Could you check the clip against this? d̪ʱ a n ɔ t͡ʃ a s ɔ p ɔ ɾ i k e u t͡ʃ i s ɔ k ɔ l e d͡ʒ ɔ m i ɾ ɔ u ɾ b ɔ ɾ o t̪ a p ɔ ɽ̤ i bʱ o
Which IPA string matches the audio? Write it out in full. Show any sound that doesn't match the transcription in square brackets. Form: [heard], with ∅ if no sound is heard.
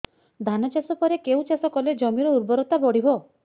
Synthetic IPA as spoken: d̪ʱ a n ɔ t͡ʃ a s ɔ p ɔ ɾ [e] k e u t͡ʃ [a] s ɔ k ɔ l e d͡ʒ ɔ m i ɾ ɔ u ɾ b ɔ ɾ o t̪ a [b] ɔ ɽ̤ i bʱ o

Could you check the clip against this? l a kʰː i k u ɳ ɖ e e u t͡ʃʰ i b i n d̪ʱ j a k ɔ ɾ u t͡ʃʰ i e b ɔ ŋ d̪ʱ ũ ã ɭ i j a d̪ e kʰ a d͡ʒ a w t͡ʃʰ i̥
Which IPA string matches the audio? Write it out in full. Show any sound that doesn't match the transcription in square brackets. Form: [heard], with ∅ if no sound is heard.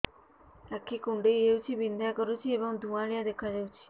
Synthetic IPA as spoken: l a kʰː i k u ɳ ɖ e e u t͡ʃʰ i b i n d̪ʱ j a k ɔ ɾ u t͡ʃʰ i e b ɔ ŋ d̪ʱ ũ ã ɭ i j a d̪ e kʰ a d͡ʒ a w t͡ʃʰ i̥

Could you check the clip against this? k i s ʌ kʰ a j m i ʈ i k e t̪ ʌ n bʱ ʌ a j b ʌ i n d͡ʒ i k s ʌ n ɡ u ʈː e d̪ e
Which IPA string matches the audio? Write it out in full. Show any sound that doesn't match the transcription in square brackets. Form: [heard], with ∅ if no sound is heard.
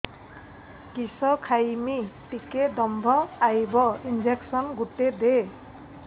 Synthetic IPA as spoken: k i s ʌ kʰ a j m i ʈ i k e [d̪] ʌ [m] bʱ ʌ a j b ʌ i n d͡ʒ [e] k s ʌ n ɡ u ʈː e d̪ e

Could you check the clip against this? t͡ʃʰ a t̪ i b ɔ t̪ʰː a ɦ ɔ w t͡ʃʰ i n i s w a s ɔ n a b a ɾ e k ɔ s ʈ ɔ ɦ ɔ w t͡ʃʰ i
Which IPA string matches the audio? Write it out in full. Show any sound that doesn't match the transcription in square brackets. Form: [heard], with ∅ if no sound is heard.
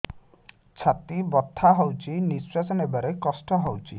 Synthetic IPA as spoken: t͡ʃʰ a t̪ i b ɔ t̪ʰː a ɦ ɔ w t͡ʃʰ i n i s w a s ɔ n [e] b a ɾ e k ɔ s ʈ ɔ ɦ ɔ w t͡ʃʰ i

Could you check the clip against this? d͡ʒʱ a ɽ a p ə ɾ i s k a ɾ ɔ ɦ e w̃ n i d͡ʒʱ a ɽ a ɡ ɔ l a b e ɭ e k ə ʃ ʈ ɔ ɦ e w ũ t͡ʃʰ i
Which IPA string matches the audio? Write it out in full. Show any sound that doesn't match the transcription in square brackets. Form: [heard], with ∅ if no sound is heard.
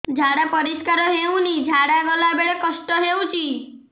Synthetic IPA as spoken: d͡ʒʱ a ɽ a p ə ɾ i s k a ɾ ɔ ɦ e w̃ n i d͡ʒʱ a ɽ a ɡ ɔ l a b e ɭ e k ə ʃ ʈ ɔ ɦ e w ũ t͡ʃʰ i

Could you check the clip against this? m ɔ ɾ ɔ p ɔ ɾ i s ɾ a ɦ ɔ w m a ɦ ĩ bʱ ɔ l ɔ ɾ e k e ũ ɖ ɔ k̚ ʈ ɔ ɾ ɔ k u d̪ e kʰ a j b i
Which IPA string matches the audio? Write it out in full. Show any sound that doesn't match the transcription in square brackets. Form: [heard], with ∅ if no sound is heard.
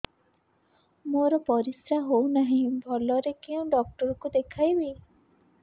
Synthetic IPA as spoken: m [o] ɾ ɔ p ɔ ɾ i s ɾ a ɦ [o] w [n] a ɦ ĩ bʱ ɔ l ɔ ɾ e k e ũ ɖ ɔ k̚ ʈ ɔ ɾ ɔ k u d̪ e kʰ a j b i

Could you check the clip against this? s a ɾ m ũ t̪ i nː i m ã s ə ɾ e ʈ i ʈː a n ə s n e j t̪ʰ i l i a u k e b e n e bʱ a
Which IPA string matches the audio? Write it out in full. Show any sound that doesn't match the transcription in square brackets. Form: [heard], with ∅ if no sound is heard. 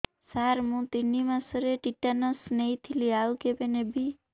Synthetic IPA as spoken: s a ɾ m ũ t̪ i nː i m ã s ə ɾ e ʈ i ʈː a n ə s n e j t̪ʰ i l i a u k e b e n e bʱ [i]

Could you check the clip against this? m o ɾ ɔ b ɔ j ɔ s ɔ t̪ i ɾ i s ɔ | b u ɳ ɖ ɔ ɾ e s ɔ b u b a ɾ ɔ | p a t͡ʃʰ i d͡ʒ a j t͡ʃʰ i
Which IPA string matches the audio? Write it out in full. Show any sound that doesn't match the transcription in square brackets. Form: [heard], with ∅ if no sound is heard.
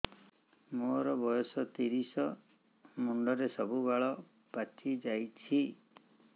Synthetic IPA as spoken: m o ɾ ɔ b ɔ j ɔ s ɔ t̪ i ɾ i s ɔ | [m] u ɳ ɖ ɔ ɾ e s ɔ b u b a [ɭ] ɔ | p a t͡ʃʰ i d͡ʒ a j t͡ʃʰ i

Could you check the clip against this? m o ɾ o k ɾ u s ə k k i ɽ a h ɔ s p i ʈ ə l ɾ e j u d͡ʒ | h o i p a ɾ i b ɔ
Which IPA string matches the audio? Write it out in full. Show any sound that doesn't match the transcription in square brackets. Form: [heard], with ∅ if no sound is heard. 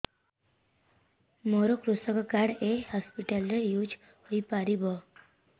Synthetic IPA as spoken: m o ɾ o k ɾ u s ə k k [a] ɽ [e] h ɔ s p i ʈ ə l ɾ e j u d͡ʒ | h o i p a ɾ i b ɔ

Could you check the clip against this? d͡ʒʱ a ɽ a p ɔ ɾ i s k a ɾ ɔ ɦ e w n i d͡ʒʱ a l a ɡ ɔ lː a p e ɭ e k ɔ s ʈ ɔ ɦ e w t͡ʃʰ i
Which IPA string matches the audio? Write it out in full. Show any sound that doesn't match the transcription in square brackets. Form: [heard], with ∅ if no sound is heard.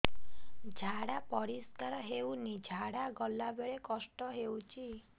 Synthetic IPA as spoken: d͡ʒʱ a ɽ a p ɔ ɾ i s k a ɾ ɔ ɦ e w n i d͡ʒʱ a [ɽ] a ɡ ɔ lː a [b] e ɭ e k ɔ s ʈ ɔ ɦ e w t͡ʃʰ i

